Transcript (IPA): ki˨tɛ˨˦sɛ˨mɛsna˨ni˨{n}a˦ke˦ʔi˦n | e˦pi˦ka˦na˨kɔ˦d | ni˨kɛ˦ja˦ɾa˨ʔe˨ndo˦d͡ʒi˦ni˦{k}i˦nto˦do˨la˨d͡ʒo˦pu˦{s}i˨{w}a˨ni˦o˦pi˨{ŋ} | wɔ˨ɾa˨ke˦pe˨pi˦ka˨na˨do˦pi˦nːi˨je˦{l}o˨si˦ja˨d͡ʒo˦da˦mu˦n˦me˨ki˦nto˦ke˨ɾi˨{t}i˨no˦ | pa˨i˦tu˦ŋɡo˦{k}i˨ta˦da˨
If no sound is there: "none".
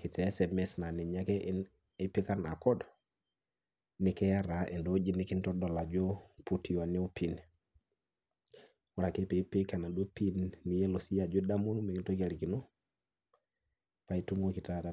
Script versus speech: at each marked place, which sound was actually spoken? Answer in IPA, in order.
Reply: ɲ, k, t, w, n, l, k, k

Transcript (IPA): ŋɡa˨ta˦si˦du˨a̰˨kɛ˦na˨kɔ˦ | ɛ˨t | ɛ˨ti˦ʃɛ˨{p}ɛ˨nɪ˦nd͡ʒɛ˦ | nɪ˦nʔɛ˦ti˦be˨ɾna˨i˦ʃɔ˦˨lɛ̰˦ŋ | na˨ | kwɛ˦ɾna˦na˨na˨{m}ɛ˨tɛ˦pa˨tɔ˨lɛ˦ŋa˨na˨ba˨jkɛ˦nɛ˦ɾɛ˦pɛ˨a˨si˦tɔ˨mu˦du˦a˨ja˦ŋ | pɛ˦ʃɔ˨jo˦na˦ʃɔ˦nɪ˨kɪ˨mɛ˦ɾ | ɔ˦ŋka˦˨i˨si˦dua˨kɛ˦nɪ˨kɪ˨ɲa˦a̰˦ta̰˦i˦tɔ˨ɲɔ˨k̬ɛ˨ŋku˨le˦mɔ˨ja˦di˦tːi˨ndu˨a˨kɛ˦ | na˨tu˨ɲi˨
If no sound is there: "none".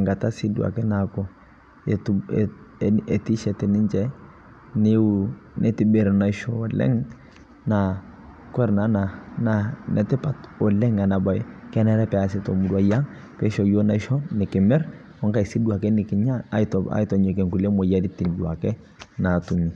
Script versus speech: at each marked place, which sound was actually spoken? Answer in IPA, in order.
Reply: t, n

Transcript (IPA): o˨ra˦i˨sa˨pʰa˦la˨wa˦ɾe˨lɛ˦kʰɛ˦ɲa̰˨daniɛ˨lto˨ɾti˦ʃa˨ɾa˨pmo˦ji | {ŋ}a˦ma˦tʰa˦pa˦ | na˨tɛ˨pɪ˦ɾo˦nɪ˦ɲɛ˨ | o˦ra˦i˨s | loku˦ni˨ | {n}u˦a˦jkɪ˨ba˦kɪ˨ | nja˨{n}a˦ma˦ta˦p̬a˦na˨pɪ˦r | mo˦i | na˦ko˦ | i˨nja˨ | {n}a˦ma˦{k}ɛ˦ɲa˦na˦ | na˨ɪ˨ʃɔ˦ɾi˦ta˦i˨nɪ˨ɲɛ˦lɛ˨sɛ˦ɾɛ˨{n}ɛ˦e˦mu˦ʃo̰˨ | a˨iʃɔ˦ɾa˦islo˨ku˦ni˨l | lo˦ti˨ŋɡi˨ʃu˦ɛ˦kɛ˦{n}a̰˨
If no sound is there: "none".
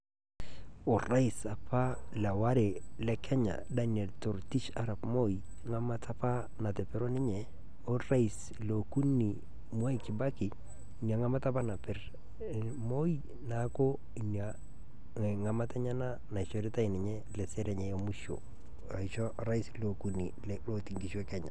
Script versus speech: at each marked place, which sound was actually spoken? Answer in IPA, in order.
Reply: ŋ, m, ŋ, ŋ, t, ɲ, ɲ

